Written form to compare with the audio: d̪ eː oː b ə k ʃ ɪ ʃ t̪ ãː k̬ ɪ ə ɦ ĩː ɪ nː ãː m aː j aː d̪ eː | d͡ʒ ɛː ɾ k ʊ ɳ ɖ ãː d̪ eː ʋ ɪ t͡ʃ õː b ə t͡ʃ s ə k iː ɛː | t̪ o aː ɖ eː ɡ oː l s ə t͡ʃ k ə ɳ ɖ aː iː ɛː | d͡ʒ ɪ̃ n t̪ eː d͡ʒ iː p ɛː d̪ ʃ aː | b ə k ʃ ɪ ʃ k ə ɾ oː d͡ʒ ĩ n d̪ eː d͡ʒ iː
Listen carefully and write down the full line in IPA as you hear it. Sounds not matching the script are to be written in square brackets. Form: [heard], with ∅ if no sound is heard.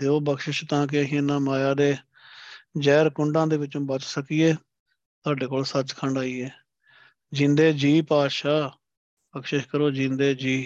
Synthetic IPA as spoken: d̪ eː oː b ə k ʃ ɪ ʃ t̪ ãː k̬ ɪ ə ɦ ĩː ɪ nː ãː m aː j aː d̪ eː | d͡ʒ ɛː ɾ k ʊ ɳ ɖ ãː d̪ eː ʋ ɪ t͡ʃ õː b ə t͡ʃ s ə k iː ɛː | t̪ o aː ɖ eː [k] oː l s ə t͡ʃ [kʰ] ə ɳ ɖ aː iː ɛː | d͡ʒ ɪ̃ n [d̪] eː d͡ʒ iː p [aː] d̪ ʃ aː | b ə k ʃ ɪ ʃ k ə ɾ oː d͡ʒ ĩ n d̪ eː d͡ʒ iː